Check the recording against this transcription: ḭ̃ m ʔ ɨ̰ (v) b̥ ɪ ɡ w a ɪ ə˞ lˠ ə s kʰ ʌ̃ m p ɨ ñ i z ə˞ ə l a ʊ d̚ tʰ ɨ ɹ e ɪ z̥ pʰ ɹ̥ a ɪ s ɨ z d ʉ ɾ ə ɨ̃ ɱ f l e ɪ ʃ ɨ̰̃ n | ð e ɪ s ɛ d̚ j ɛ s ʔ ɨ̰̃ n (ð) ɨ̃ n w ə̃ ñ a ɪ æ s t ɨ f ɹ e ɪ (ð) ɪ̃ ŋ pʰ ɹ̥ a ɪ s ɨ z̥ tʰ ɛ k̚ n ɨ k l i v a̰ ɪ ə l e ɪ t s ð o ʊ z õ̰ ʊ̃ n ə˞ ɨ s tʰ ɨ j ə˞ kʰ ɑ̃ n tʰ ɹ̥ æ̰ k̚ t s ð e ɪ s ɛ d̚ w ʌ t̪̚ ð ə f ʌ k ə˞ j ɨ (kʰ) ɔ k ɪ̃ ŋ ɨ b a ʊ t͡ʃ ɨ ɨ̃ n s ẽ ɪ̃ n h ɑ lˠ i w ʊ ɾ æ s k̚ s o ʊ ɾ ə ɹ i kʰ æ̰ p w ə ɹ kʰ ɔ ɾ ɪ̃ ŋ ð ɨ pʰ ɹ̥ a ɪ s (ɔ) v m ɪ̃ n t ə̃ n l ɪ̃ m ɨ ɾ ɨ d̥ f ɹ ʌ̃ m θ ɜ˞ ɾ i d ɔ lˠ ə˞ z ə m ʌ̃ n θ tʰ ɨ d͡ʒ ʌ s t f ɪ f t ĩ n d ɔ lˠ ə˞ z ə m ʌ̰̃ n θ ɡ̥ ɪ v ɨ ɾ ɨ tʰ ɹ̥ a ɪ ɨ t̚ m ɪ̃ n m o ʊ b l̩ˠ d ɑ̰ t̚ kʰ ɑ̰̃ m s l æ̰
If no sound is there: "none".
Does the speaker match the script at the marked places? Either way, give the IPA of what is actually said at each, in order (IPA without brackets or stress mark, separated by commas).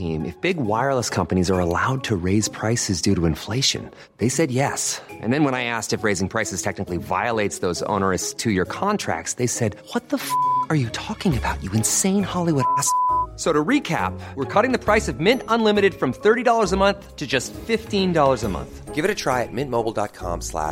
f, ð, z, tʰ, ʌ